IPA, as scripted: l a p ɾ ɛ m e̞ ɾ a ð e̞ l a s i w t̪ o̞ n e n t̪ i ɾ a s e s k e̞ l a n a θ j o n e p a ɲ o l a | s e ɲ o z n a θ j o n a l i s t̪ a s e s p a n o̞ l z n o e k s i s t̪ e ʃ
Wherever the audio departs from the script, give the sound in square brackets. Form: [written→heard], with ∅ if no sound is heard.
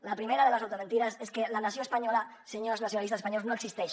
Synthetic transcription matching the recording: l a p ɾ [ɛ→i] m e̞ ɾ a ð e̞ l a s [i→a] w t̪ o̞ [n→m] e n t̪ i ɾ a s e s k e̞ l a n a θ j o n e p a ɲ o l a | s e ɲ o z n a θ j o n a l i s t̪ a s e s p a [n→ɲ] o̞ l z n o e k s i s t̪ e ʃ